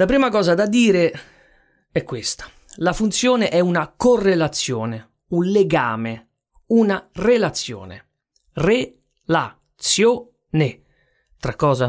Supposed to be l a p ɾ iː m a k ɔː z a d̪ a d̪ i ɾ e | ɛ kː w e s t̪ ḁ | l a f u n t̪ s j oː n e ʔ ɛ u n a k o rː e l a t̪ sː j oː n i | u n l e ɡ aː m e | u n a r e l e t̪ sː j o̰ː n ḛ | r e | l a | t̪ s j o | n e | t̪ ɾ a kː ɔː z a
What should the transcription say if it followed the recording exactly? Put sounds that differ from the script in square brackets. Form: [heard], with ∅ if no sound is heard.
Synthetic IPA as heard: l a p ɾ iː m a k ɔː z a d̪ a d̪ [iː] ɾ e | ɛ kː w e s t̪ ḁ | l a f u n t̪ s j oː n e ʔ ɛ u n a k o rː e l a t̪ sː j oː n [e] | u n l e ɡ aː m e | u n a r e l [a] t̪ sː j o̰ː n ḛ | r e | l a | t̪ s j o | n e | t̪ ɾ a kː ɔː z a